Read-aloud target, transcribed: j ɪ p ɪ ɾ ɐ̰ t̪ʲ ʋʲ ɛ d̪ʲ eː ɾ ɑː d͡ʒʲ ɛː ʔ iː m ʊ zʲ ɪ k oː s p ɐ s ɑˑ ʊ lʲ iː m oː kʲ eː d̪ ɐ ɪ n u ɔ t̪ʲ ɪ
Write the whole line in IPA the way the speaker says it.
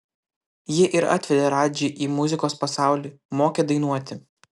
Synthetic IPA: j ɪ ʔ ɪ ɾ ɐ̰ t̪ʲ ʋʲ ɛ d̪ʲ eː ɾ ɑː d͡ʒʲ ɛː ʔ iː m ʊ zʲ ɪ k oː s p ɐ s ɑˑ ʊ lʲ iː m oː kʲ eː d̪ ɐ ɪ n u ɔ t̪ʲ ɪ